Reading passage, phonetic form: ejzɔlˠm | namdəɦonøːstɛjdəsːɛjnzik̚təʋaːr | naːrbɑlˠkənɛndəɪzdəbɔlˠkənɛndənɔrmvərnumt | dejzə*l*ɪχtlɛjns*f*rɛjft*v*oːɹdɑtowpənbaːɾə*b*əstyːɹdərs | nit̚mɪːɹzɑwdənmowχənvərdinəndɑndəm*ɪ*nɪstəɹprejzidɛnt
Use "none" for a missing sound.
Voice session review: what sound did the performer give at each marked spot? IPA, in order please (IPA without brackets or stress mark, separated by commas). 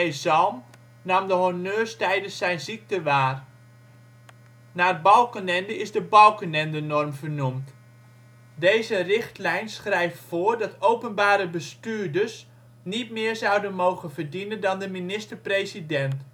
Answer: r, χ, f, b, i